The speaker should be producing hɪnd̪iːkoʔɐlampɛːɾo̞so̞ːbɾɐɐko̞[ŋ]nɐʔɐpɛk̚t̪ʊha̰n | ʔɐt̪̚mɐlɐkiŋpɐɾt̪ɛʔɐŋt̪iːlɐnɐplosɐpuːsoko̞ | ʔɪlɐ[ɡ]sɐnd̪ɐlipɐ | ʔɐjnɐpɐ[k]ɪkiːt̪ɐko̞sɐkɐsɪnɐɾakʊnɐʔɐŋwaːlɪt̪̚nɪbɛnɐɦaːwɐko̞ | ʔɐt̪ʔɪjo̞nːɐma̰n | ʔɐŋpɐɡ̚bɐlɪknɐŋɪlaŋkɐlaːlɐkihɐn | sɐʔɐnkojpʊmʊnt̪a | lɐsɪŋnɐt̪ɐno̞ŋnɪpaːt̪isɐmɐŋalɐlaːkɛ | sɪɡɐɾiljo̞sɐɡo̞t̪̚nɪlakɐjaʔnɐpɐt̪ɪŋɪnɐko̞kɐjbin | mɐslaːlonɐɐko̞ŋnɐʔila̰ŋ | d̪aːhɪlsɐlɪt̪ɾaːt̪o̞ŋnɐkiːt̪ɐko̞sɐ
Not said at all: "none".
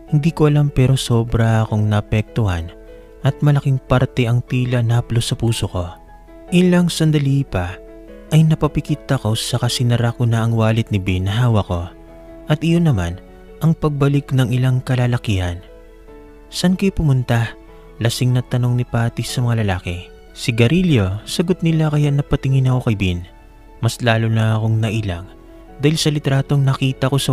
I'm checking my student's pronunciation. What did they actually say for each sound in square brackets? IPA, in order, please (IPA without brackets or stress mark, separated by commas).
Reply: ŋ, ŋ, p